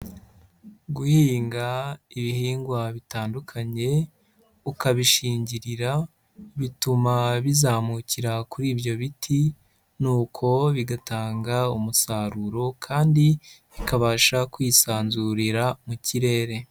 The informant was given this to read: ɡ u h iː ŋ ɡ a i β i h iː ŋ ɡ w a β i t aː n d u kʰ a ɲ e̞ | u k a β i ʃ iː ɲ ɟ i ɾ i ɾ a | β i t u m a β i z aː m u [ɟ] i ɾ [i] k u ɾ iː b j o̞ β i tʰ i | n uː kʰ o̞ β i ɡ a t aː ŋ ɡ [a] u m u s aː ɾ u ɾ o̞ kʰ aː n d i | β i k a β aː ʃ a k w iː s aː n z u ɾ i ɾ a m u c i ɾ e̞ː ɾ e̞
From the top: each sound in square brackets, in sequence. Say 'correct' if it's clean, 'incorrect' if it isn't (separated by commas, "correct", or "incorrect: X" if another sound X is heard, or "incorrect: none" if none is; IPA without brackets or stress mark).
incorrect: c, incorrect: a, correct